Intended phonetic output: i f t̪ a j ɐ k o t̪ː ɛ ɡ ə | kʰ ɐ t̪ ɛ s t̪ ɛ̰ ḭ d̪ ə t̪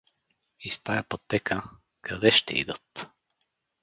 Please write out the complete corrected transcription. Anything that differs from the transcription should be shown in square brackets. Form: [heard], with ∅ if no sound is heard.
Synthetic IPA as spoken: i [s] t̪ a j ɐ [p] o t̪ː ɛ [k] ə | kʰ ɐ [d̪] ɛ [ʃ] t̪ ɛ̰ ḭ d̪ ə t̪

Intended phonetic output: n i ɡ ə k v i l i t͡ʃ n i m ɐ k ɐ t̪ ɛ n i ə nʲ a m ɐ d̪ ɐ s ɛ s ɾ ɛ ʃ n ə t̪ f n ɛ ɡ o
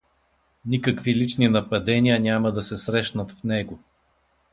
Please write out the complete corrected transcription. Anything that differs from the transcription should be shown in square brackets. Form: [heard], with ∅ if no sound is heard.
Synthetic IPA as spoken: n i [k] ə k v i l i t͡ʃ n i [n] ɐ [p] ɐ [d̪] ɛ n i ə nʲ a m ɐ d̪ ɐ s ɛ s ɾ ɛ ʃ n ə t̪ f n ɛ ɡ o

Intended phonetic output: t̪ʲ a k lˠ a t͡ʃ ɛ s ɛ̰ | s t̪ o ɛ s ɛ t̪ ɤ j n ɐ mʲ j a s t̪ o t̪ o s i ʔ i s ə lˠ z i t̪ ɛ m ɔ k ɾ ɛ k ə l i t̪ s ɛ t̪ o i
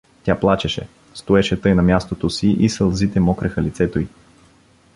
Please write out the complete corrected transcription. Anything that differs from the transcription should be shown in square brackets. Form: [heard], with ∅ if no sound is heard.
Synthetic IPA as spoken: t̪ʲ a [p] lˠ a t͡ʃ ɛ [ʃ] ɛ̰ | s t̪ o ɛ [ʃ] ɛ t̪ ɤ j n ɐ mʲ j a s t̪ o t̪ o s i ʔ i s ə lˠ z i t̪ ɛ m ɔ k ɾ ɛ [x] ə l i t̪ s ɛ t̪ o i

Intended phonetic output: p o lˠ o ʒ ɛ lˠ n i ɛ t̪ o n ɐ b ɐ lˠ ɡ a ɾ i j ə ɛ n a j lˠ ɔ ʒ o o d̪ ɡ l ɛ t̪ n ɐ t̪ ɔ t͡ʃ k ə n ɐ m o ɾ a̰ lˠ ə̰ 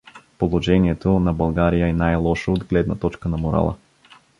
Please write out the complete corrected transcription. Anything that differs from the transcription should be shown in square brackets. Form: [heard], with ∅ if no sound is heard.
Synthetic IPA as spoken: p o lˠ o ʒ ɛ [∅] n i ɛ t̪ o n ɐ b ɐ lˠ ɡ a ɾ i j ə ɛ n a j lˠ ɔ [ʃ] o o d̪ ɡ l ɛ [d̪] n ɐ t̪ ɔ t͡ʃ k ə n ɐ m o ɾ a̰ lˠ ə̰

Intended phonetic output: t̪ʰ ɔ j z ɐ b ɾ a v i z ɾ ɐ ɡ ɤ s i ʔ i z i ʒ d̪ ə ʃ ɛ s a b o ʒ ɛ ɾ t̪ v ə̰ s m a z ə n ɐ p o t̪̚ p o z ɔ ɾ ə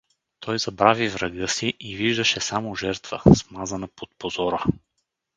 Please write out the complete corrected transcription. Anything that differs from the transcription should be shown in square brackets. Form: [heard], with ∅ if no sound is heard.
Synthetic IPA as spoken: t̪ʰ ɔ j z ɐ b ɾ a v i [v] ɾ ɐ ɡ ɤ s i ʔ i [v] i ʒ d̪ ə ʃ ɛ s a [m] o ʒ ɛ ɾ t̪ v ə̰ s m a z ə n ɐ p o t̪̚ p o z ɔ ɾ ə

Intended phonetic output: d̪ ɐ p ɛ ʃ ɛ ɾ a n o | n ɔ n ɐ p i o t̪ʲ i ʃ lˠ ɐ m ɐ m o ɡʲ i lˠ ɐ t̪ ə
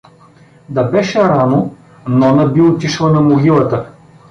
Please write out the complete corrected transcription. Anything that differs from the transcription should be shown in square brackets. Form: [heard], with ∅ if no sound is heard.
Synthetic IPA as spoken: d̪ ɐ [b] ɛ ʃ ɛ ɾ a n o | n ɔ n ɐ [b] i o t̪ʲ i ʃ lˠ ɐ [n] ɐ m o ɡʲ i lˠ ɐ t̪ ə

